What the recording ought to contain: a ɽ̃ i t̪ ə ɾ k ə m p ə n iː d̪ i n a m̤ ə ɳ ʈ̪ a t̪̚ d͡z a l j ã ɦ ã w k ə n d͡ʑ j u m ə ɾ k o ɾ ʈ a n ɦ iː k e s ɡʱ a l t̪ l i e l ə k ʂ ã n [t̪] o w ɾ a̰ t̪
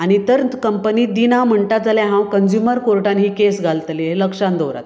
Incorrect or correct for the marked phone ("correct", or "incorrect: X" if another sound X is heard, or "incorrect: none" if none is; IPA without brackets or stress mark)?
incorrect: d̪